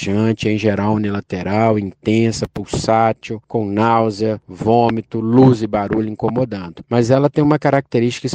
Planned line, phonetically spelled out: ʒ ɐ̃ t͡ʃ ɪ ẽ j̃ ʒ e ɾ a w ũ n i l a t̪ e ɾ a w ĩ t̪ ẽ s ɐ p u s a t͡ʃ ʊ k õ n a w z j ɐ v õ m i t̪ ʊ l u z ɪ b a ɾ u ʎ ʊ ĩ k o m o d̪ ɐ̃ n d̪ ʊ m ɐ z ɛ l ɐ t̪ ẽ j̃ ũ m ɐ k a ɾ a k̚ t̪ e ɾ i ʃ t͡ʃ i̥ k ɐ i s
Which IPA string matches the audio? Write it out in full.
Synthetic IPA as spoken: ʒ ɐ̃ t͡ʃ ɪ ẽ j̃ ʒ e ɾ a w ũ n i l a t̪ e ɾ a w ĩ t̪ ẽ s ɐ p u s a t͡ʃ ʊ k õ n a w z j ɐ v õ m i t̪ ʊ l u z ɪ b a ɾ u ʎ ʊ ĩ k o m o d̪ ɐ̃ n d̪ ʊ m ɐ z ɛ l ɐ t̪ ẽ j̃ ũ m ɐ k a ɾ a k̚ t̪ e ɾ i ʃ t͡ʃ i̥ k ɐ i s